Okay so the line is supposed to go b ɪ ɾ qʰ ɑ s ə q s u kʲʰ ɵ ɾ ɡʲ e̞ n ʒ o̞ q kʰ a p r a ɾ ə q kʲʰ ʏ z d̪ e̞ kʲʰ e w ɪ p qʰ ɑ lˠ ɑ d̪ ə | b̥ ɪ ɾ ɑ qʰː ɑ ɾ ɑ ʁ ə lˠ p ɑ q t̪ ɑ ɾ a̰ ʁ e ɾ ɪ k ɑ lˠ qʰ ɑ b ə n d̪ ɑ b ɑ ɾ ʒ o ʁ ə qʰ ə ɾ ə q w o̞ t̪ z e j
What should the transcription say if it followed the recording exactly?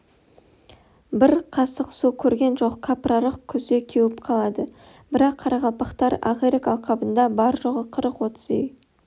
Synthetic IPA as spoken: b ɪ ɾ qʰ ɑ s ə q s u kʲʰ ɵ ɾ ɡʲ e̞ n ʒ o̞ q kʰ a p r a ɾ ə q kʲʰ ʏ z d̪ e̞ kʲʰ e w ɪ p qʰ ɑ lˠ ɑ d̪ ə | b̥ ɪ ɾ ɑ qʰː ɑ ɾ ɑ ʁ ɑ lˠ p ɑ q t̪ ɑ ɾ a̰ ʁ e ɾ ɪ k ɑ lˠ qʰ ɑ b ə n d̪ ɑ b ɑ ɾ ʒ o ʁ ə qʰ ə ɾ ə q w o̞ t̪ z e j